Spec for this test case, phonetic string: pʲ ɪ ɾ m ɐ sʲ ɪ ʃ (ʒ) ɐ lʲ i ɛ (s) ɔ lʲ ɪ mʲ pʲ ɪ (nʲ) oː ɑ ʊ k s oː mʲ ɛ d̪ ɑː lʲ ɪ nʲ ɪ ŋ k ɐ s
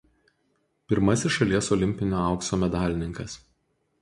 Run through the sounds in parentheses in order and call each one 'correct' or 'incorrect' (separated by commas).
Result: incorrect, correct, correct